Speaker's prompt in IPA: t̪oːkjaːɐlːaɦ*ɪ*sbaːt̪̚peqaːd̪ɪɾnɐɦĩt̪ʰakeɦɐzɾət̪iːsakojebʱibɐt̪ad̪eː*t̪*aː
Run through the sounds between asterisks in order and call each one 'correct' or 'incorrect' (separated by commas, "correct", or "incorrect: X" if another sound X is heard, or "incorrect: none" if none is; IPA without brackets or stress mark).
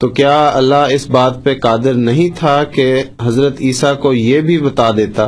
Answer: correct, correct